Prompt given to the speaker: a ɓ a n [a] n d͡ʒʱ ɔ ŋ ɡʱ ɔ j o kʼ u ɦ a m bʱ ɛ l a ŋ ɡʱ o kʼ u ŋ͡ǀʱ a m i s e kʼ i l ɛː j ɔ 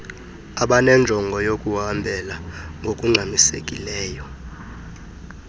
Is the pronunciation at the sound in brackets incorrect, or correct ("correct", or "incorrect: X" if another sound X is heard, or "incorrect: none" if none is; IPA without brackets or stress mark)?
incorrect: ɛ